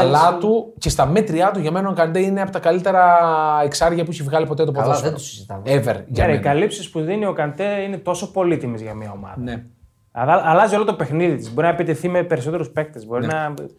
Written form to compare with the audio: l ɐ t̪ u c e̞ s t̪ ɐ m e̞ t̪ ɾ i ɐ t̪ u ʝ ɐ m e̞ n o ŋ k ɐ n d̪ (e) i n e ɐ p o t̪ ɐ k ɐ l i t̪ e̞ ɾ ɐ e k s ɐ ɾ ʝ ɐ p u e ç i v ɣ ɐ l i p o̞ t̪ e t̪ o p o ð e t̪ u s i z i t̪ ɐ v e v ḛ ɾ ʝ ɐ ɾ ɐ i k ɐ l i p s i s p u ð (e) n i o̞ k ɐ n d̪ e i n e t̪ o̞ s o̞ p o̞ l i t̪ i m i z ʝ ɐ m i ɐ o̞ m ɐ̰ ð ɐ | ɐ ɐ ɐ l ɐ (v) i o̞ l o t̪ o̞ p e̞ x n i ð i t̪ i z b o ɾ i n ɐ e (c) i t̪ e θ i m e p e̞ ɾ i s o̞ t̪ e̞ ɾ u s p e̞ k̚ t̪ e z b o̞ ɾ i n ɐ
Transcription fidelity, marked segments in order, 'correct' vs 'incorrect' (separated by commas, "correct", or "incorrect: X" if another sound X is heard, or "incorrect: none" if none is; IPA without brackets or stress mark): correct, incorrect: i, incorrect: z, incorrect: p